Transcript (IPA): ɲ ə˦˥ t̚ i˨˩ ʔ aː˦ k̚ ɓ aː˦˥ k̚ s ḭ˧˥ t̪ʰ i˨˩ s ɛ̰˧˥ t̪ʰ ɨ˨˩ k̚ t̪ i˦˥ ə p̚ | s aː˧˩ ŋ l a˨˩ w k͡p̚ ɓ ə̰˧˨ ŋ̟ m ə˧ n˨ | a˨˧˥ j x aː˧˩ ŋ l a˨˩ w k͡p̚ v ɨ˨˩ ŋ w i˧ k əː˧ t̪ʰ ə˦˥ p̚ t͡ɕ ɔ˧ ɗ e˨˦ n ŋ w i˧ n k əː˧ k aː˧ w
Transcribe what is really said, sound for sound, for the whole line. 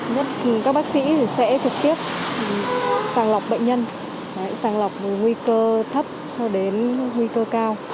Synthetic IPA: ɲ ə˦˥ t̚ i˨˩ k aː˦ k̚ ɓ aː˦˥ k̚ s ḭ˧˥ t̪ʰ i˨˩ s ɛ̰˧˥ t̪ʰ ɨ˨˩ k̚ t̪ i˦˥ ə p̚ | s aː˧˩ ŋ l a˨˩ w k͡p̚ ɓ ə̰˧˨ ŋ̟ ɲ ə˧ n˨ | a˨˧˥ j s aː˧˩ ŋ l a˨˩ w k͡p̚ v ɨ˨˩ ŋ w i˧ k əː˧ t̪ʰ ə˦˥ p̚ t͡ɕ ɔ˧ ɗ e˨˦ n ŋ w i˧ k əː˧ k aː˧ w